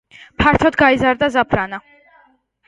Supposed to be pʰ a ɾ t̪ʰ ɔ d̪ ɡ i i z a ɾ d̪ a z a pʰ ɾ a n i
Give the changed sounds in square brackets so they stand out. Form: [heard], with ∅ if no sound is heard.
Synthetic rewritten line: pʰ a ɾ t̪ʰ ɔ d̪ ɡ [a] i z a ɾ d̪ a z a pʰ ɾ a n [a]